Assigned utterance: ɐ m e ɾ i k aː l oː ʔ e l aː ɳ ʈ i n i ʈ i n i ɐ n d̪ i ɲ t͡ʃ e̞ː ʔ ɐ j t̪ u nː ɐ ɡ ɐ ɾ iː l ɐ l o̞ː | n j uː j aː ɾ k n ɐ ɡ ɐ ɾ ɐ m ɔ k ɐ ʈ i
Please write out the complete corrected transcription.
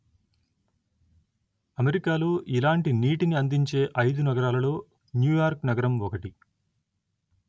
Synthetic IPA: ɐ m e ɾ i k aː l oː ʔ i l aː ɳ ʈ i n iː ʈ i n i ɐ n d̪ i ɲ t͡ʃ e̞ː ʔ ɐ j d̪ u n ɐ ɡ ɐ ɾ aː l ɐ l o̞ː | n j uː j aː ɾ k n ɐ ɡ ɐ ɾ ɐ m ɔ k ɐ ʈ i